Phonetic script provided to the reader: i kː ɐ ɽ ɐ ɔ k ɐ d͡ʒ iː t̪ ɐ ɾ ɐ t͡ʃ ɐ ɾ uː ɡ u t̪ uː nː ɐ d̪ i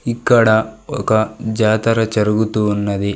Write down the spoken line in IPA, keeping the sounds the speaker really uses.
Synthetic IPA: i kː ɐ ɽ ɐ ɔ k ɐ d͡ʒ aː t̪ ɐ ɾ ɐ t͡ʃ ɐ ɾ u ɡ u t̪ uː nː ɐ d̪ i

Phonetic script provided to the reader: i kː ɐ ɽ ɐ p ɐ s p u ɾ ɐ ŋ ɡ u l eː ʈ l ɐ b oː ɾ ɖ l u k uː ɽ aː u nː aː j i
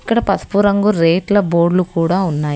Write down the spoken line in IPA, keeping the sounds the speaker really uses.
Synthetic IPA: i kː ɐ ɽ ɐ p ɐ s p u ɾ ɐ ŋ ɡ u ɾ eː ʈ l ɐ b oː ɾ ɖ l u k uː ɽ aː u nː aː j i

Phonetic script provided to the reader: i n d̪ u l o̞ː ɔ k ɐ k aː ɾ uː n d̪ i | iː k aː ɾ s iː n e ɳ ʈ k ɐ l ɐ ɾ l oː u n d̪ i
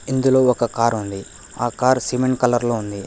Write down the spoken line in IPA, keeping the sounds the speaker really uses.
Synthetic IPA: i n d̪ u l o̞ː ɔ k ɐ k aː ɾ u n d̪ i | aː k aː ɾ s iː m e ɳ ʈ k ɐ l ɐ ɾ l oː u n d̪ i

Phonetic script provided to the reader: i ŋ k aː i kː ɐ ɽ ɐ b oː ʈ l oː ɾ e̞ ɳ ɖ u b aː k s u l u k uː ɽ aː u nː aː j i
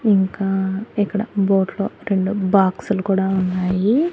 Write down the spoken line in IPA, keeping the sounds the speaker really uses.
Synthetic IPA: i ŋ k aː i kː ɐ ɽ ɐ b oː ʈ l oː ɾ e̞ ɳ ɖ u b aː k s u l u k uː ɽ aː u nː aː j i

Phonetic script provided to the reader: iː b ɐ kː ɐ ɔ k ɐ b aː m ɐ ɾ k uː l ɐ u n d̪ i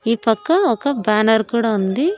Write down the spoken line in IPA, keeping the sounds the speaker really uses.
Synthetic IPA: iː p ɐ kː ɐ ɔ k ɐ b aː n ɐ ɾ k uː ɽ ɐ u n d̪ i

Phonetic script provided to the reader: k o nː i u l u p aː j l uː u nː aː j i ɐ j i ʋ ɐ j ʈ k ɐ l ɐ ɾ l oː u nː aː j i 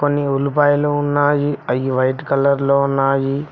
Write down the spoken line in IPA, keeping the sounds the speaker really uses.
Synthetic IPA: k o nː i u l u p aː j l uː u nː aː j i ɐ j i ʋ ɐ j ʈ k ɐ l ɐ ɾ l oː u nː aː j i

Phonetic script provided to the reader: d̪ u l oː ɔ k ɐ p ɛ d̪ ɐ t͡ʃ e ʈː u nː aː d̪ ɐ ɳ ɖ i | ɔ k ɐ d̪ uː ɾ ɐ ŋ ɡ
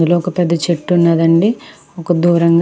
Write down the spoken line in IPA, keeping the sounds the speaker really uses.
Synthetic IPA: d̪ u l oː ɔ k ɐ p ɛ d̪ː ɐ t͡ʃ e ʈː u nː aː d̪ ɐ ɳ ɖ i | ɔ k ɐ d̪ uː ɾ ɐ ŋ ɡ

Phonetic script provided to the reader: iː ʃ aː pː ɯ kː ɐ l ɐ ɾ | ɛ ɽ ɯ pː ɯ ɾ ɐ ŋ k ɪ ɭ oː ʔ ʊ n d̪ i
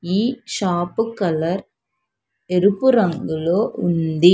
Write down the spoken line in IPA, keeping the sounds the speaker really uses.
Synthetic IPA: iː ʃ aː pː ɯ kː ɐ l ɐ ɾ | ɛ ɾ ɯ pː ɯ ɾ ɐ ŋ ɡ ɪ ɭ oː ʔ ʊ n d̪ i

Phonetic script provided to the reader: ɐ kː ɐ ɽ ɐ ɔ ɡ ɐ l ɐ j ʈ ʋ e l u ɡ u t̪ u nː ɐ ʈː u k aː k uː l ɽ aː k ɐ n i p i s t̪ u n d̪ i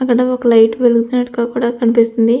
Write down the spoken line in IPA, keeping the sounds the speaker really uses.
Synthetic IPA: ɐ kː ɐ ɽ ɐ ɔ k ɐ l ɐ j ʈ ʋ e l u ɡ u t̪ u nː ɐ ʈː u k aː k uː ɽ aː k ɐ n i p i s t̪ u n d̪ i

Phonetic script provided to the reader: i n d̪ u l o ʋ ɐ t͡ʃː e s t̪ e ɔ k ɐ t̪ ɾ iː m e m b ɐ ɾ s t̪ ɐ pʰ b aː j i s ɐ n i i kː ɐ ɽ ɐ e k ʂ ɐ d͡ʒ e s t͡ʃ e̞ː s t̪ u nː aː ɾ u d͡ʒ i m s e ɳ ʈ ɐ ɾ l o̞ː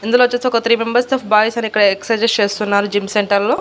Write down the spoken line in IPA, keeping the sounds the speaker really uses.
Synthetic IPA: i n d̪ u l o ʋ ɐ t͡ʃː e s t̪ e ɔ k ɐ t̪ ɾ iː m e m b ɐ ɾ s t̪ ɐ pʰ b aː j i s ɐ n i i kː ɐ ɽ ɐ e k s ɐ d͡ʒ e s t͡ʃ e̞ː s t̪ u nː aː ɾ u d͡ʒ i m s e ɳ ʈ ɐ ɾ l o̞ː

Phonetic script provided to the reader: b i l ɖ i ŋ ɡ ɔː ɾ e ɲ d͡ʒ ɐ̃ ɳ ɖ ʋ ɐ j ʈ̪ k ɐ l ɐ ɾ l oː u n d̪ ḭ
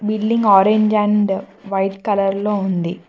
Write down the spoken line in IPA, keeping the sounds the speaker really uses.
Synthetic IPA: b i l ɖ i ŋ ɡ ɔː ɾ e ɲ d͡ʒ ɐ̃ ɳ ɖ ʋ ɐ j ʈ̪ k ɐ l ɐ ɾ l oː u n d̪ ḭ

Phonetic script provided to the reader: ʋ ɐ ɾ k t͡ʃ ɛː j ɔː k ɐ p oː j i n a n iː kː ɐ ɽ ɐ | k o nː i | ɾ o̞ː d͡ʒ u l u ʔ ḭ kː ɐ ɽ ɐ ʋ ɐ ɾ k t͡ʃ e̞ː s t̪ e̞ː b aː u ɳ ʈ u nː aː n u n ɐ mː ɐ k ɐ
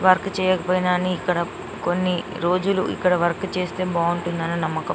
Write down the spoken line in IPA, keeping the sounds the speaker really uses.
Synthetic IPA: ʋ ɐ ɾ k t͡ʃ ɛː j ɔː k ɐ p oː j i n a n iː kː ɐ ɽ ɐ | k o nː i | ɾ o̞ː d͡ʒ u l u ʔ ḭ kː ɐ ɽ ɐ ʋ ɐ ɾ k t͡ʃ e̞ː s t̪ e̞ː b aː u ɳ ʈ u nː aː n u n ɐ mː ɐ k ɐ

